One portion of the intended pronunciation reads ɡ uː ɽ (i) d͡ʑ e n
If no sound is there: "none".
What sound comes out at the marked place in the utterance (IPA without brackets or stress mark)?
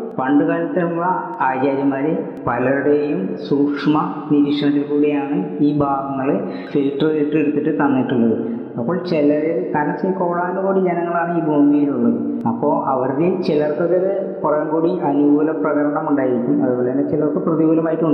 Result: i